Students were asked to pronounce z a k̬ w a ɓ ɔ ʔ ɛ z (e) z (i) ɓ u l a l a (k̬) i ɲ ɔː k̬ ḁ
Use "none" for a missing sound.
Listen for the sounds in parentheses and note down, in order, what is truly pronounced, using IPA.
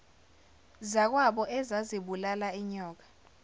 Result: a, i, none

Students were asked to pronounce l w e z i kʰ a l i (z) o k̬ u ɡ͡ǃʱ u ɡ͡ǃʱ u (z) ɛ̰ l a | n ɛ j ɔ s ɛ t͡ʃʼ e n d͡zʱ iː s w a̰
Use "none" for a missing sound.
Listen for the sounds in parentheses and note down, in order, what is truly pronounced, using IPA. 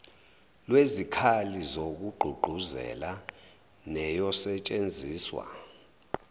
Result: z, z

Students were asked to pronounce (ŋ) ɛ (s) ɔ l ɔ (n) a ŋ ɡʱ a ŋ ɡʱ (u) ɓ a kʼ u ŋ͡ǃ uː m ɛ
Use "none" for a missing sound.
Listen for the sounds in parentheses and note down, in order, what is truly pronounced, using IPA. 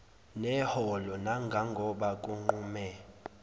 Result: n, h, n, ɔ

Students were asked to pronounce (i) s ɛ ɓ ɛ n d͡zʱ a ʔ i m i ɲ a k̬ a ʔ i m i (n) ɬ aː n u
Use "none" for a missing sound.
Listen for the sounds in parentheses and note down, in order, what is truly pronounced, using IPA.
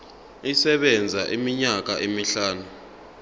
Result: i, none

